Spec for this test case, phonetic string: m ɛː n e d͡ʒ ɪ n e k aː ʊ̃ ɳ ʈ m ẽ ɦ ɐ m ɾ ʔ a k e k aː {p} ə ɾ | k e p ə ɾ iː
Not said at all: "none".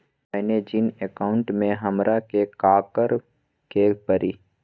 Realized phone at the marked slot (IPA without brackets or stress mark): k